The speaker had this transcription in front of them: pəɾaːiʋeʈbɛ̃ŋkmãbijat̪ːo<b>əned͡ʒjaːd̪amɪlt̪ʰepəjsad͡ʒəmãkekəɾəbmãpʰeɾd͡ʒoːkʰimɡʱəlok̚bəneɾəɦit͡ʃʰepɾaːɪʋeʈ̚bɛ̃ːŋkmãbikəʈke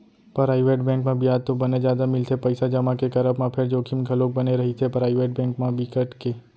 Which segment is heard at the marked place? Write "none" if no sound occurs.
b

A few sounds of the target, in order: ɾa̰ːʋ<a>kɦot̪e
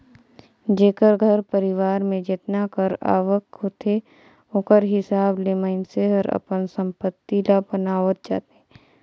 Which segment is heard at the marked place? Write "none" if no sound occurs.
ə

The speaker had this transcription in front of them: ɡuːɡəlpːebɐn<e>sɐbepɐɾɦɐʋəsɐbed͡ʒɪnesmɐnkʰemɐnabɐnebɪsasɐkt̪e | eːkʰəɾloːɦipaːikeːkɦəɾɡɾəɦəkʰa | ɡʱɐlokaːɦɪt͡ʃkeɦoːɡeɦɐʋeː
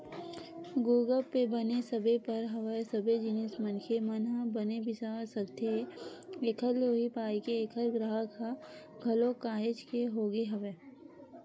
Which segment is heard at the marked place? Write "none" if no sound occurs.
e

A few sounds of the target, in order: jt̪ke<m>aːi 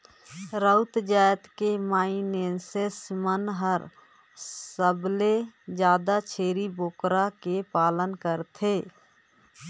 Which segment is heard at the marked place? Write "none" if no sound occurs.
m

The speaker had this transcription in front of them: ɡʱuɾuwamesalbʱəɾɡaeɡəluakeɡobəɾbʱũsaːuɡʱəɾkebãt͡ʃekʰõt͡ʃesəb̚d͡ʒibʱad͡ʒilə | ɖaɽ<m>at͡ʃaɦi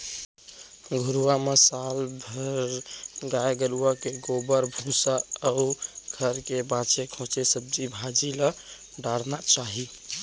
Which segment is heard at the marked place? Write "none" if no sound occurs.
n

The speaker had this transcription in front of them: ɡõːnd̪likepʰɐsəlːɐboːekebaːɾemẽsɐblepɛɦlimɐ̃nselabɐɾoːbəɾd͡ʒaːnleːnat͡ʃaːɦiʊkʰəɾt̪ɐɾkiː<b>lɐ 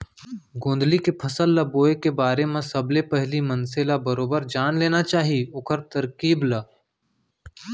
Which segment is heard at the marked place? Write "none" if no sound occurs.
b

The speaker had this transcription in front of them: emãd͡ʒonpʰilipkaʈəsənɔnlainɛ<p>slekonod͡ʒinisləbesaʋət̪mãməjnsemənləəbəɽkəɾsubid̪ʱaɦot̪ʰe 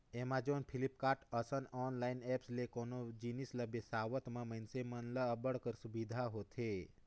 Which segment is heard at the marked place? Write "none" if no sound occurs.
p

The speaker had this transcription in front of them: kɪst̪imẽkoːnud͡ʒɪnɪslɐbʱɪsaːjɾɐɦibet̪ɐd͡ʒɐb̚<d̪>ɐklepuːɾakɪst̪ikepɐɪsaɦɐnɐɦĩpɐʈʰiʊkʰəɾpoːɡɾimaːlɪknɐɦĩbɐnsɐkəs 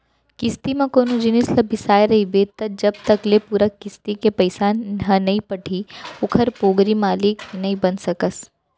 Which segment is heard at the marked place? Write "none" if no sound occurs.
t̪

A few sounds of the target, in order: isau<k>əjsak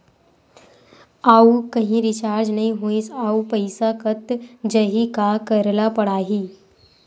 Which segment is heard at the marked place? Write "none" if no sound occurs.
p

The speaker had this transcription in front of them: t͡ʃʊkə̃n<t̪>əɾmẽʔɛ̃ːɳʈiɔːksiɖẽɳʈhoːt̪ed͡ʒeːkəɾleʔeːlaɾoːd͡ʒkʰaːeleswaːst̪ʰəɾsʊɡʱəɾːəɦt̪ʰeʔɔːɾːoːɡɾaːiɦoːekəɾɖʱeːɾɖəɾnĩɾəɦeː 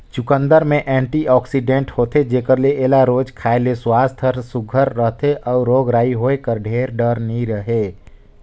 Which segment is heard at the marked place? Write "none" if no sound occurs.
d̪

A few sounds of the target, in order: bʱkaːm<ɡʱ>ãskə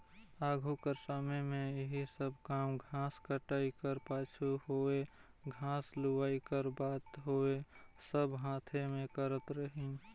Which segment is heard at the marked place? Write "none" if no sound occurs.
ɡʱ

